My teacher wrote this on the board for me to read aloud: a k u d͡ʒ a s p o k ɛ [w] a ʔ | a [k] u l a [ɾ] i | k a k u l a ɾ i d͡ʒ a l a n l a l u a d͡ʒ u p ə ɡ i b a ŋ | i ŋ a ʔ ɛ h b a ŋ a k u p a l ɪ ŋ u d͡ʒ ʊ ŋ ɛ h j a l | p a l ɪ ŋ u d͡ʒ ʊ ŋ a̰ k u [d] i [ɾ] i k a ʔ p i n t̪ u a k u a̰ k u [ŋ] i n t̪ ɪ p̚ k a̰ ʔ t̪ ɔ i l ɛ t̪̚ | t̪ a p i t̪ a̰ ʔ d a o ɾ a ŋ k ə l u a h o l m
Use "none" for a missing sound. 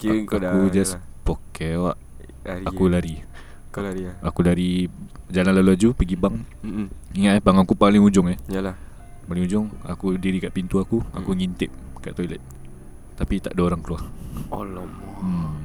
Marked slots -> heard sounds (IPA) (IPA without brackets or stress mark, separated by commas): w, k, ɾ, d, ɾ, ŋ